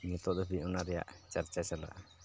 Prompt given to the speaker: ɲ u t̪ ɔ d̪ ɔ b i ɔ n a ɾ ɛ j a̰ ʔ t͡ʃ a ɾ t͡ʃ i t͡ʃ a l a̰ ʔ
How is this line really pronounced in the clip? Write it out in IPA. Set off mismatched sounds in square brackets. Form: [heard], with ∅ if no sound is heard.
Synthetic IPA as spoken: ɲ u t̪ ɔ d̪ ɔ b i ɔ n a ɾ ɛ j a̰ ʔ t͡ʃ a ɾ t͡ʃ [a] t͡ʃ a l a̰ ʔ